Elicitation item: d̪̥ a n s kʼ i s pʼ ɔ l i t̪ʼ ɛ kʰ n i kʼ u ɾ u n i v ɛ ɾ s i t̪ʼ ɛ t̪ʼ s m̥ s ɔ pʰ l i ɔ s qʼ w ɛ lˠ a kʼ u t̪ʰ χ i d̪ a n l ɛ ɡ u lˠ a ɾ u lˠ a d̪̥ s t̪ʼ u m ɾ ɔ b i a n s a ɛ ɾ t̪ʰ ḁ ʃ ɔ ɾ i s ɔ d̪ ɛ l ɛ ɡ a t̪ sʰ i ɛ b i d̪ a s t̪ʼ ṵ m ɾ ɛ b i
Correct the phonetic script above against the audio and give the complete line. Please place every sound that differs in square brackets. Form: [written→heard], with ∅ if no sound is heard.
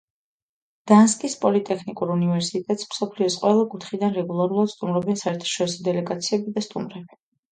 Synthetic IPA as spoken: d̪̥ a n s kʼ i s pʼ ɔ l i t̪ʼ ɛ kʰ n i kʼ u ɾ u n i v ɛ ɾ s i t̪ʼ ɛ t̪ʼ s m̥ s ɔ pʰ l i ɔ s qʼ w ɛ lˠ a kʼ u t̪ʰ χ i d̪ a n [l→ɾ] ɛ ɡ u lˠ a ɾ u lˠ a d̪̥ s t̪ʼ u m ɾ ɔ b i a n s a ɛ ɾ t̪ʰ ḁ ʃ ɔ ɾ i s ɔ d̪ ɛ l ɛ ɡ a t̪ sʰ i ɛ b i d̪ a s t̪ʼ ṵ m ɾ ɛ b i